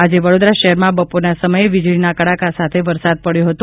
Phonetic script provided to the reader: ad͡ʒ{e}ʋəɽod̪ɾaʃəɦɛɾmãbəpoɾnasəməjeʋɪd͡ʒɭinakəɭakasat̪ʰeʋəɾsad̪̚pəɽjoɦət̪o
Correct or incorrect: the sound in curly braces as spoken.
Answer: correct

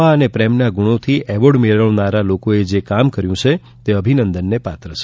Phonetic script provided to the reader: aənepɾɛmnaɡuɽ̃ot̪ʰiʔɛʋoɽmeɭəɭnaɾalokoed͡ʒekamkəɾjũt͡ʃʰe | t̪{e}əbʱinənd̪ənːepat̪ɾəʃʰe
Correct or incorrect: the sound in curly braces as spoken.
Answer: correct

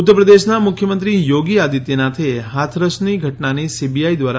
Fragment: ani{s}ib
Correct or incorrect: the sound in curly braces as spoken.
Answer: correct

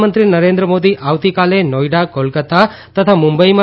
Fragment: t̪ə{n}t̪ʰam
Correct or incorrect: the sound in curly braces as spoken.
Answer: incorrect: none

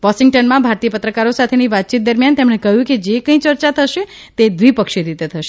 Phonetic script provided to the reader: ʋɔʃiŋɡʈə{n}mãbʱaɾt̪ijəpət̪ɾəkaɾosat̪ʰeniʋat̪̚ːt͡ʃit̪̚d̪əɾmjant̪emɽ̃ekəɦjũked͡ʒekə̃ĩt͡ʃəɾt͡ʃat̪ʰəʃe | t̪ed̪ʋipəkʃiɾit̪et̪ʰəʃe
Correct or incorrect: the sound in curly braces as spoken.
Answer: correct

